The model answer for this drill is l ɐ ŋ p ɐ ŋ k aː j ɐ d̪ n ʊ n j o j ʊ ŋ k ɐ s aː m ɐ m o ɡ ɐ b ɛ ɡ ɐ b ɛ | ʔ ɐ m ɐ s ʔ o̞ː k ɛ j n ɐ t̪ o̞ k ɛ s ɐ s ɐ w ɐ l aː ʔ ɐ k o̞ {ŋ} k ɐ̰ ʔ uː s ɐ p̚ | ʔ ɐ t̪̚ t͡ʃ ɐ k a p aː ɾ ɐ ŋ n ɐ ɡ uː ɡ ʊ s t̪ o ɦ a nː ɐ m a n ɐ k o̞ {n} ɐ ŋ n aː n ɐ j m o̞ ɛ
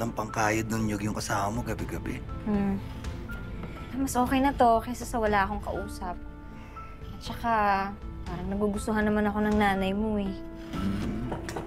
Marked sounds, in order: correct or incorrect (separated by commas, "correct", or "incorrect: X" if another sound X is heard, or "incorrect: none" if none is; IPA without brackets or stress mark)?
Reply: correct, correct